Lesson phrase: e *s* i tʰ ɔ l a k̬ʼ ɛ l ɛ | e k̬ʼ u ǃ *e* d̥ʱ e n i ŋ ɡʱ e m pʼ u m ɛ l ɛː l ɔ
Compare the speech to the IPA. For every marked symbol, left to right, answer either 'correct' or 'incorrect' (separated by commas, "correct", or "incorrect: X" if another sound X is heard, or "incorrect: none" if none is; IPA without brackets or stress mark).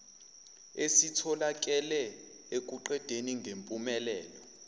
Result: correct, incorrect: ɛ